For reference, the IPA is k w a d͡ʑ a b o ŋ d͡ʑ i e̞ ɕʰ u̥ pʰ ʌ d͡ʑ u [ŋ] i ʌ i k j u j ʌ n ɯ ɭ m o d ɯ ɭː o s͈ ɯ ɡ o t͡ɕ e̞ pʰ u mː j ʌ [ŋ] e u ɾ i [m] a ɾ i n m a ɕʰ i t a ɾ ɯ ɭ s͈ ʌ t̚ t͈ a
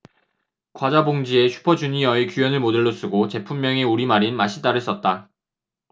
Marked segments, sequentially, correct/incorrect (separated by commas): incorrect, correct, correct